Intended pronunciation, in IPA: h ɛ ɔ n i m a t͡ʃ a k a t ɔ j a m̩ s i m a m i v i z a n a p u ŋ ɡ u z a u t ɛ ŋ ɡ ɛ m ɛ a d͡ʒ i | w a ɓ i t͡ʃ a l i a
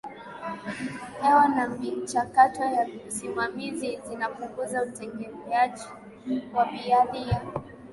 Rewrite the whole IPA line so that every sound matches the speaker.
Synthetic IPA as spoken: h ɛ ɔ n a m i t͡ʃ a k a t ɔ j a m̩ s i m a m i z i z i n a p u ŋ ɡ u z a u t ɛ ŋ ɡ ɛ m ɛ a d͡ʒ i | w a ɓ i a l i a